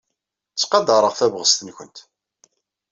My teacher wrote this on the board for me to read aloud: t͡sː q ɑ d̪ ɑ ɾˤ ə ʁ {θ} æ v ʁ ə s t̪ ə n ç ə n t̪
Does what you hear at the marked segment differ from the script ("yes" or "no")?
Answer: no